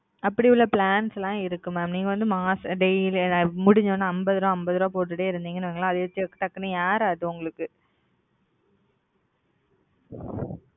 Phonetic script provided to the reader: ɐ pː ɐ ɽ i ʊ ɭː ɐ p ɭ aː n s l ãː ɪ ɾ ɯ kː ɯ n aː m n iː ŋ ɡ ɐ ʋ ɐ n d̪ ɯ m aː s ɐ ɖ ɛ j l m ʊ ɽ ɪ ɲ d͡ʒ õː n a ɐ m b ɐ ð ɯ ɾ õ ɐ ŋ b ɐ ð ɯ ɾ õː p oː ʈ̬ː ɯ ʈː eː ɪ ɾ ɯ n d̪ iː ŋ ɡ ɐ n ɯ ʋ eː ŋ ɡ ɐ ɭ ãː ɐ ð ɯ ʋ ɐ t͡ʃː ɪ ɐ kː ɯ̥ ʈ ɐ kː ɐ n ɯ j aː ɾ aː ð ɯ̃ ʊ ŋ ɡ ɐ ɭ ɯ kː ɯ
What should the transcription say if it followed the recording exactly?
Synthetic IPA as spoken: ɐ pː ɐ ɽ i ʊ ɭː ɐ p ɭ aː n s l ãː ɪ ɾ ɯ kː ɯ m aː m n iː ŋ ɡ ɐ ʋ ɐ n d̪ ɯ m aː s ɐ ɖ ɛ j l m ʊ ɽ ɪ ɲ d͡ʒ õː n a ɐ m b ɐ ð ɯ ɾ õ ɐ m b ɐ ð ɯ ɾ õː p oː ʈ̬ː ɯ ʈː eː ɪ ɾ ɯ n d̪ iː ŋ ɡ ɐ n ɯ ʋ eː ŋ ɡ ɐ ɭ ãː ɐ ð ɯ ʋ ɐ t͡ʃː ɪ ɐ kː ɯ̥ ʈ ɐ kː ɐ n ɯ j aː ɾ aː ð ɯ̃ ʊ ŋ ɡ ɐ ɭ ɯ kː ɯ